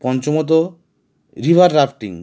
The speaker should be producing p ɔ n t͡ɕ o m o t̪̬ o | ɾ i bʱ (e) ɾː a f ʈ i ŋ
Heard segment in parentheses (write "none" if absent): a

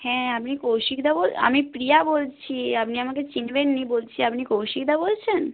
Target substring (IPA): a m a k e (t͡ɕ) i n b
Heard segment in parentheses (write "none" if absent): t͡ɕ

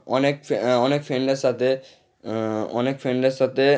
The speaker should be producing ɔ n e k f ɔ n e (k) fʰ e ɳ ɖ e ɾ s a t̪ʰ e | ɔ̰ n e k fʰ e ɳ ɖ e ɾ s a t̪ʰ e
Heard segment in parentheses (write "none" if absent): k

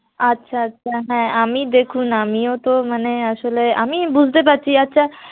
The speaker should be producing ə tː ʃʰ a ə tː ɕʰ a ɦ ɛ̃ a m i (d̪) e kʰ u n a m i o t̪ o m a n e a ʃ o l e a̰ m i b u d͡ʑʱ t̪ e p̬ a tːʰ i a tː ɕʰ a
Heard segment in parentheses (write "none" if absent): d̪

